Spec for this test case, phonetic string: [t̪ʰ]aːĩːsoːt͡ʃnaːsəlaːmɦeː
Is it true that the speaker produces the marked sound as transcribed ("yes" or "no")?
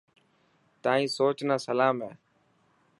no